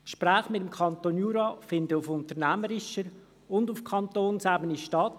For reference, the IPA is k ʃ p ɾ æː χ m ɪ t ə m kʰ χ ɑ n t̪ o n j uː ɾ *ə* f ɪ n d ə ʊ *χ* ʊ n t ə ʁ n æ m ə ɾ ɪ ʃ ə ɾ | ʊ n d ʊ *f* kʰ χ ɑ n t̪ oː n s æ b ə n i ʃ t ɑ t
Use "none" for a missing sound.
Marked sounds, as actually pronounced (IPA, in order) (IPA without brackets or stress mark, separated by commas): ɑ, f, f